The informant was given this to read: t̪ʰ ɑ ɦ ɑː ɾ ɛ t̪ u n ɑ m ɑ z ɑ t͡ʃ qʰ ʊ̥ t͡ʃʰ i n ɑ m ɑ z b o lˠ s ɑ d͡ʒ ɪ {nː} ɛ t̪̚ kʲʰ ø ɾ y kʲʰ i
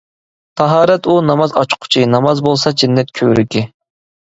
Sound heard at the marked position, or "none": nː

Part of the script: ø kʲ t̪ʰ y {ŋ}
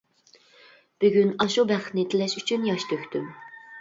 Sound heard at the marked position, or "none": m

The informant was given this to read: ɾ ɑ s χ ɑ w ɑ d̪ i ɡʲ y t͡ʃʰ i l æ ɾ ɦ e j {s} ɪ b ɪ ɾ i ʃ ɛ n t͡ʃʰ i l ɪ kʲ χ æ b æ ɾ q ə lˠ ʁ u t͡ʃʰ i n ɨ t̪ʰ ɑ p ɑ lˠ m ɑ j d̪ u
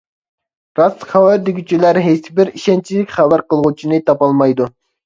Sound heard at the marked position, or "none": s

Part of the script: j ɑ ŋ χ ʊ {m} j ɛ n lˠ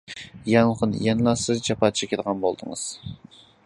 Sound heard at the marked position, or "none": n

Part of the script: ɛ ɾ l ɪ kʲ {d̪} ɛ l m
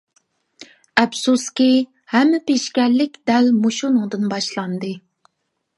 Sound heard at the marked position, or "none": d̪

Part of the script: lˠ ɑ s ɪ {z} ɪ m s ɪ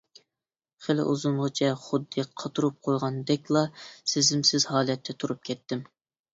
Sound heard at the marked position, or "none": z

